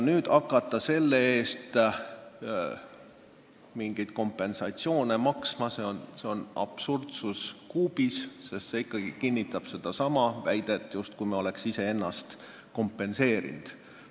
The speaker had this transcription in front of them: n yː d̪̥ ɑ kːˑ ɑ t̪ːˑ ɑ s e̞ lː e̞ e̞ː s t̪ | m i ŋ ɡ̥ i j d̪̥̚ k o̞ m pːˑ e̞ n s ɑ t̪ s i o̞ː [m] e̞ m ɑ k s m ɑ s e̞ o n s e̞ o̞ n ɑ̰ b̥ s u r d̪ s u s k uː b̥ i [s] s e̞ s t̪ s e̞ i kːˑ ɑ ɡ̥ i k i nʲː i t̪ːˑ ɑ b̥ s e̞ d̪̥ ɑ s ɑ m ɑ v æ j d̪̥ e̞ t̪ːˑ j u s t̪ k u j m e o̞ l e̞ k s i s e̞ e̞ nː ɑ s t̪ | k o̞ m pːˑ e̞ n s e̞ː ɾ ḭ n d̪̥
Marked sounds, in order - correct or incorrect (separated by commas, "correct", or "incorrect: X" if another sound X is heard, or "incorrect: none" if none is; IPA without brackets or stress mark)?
incorrect: n, correct